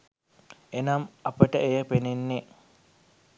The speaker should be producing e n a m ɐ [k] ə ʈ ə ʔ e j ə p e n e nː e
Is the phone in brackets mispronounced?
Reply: yes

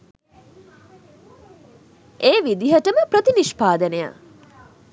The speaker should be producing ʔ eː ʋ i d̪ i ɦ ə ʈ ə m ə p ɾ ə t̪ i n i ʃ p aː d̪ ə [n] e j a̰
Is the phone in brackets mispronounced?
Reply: no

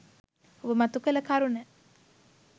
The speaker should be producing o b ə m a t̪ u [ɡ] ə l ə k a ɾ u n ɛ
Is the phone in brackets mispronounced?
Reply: yes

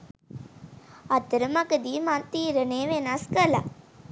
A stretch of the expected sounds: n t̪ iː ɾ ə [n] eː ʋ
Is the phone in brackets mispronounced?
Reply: no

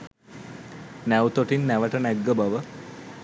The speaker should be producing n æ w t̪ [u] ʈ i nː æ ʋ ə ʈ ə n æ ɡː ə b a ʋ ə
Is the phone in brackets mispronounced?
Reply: yes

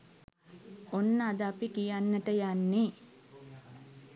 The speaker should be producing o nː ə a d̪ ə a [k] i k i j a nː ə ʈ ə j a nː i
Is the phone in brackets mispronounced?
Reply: yes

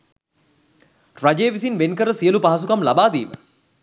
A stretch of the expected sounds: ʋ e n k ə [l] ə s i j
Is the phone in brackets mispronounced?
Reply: yes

